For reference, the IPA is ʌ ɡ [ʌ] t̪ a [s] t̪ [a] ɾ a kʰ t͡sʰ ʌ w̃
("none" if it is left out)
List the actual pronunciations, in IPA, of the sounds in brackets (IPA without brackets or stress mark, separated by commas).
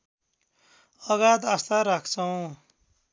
a, s, a